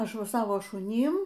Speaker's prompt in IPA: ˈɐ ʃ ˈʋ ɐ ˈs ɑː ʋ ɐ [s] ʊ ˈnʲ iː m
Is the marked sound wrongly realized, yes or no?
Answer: yes